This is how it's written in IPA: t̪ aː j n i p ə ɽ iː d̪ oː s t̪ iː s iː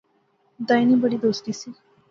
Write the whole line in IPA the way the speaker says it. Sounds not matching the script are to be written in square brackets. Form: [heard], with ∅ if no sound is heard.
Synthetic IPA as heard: [d̪] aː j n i [b] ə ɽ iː d̪ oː s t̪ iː s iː